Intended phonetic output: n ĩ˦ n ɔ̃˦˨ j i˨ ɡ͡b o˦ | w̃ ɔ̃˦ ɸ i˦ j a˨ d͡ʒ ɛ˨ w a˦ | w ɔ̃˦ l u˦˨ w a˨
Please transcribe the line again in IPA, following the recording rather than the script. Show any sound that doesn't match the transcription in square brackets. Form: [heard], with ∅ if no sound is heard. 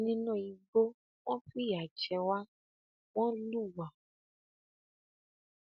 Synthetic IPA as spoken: n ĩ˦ n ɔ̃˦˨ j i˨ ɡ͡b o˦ | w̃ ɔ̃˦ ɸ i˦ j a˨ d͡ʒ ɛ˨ w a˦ | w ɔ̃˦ l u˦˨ w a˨